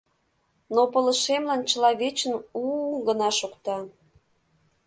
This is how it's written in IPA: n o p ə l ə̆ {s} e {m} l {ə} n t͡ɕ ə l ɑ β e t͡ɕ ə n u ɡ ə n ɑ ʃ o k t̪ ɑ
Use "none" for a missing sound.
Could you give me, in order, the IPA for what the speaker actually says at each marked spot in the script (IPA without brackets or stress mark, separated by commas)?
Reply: ʃ, m, ɑ